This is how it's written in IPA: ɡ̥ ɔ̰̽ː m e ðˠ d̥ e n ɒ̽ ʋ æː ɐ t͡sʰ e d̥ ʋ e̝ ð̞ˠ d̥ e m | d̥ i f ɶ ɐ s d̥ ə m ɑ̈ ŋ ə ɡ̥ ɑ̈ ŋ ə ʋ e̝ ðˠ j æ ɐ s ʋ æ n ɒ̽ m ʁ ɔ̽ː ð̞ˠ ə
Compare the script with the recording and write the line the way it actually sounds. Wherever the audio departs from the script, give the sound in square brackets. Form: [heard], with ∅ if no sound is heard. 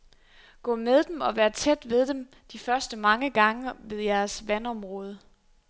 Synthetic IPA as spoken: ɡ̥ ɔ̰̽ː m e ðˠ d̥ e [m] ɒ̽ ʋ æː ɐ t͡sʰ e d̥ ʋ e̝ ð̞ˠ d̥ e m | d̥ i f ɶ ɐ s d̥ ə m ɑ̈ ŋ ə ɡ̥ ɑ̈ ŋ ə ʋ e̝ ðˠ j æ ɐ s ʋ æ n ɒ̽ m ʁ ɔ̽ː ð̞ˠ ə